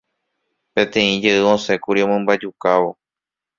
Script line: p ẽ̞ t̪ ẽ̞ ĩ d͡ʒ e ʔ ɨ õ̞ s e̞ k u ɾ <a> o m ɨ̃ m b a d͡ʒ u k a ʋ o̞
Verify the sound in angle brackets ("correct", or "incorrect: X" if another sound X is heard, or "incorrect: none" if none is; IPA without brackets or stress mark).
incorrect: i